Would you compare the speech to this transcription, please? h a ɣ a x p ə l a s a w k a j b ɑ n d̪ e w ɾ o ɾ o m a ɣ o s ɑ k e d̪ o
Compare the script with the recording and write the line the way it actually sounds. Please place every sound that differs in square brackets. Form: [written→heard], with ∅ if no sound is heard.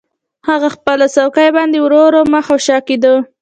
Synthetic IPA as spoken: h a ɣ a x p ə l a s a w k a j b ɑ n d̪ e w ɾ o ɾ o m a [ɣ→x] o [s→ʃ] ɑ k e d̪ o